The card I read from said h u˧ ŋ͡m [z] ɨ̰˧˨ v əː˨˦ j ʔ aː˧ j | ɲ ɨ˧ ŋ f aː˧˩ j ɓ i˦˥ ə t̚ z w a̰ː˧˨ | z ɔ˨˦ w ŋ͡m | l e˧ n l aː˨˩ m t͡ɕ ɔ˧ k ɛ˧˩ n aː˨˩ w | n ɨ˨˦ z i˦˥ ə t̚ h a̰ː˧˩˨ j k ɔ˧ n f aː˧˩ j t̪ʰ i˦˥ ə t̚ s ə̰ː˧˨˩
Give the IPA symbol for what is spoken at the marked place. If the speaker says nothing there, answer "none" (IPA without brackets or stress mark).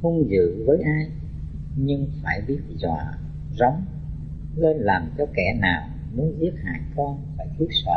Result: z